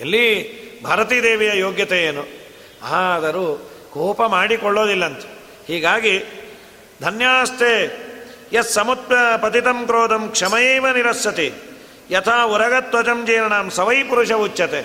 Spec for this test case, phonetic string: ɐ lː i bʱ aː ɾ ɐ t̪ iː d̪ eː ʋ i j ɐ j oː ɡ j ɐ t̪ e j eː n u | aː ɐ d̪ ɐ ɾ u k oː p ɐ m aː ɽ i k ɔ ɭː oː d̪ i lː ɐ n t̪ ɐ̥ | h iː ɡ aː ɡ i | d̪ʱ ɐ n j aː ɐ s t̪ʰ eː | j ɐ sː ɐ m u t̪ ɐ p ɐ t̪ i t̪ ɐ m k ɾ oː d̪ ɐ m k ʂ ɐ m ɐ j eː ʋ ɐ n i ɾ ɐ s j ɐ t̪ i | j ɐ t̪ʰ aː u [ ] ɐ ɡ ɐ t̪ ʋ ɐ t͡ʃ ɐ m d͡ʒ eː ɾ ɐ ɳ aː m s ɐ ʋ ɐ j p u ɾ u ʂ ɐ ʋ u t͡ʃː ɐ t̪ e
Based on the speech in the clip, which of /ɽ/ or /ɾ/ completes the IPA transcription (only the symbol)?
ɾ